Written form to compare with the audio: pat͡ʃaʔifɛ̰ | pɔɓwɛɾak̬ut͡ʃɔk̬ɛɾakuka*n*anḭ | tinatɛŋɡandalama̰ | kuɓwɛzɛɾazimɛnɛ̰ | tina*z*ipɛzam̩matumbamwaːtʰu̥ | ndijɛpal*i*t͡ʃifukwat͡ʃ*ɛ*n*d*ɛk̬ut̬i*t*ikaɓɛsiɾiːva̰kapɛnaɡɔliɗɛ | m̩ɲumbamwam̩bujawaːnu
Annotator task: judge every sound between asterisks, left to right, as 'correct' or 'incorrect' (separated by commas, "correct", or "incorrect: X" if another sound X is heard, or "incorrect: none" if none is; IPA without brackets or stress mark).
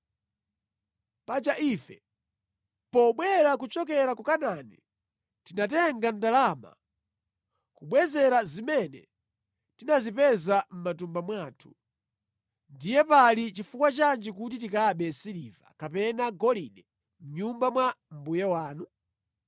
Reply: correct, correct, correct, incorrect: a, incorrect: d͡ʒ, correct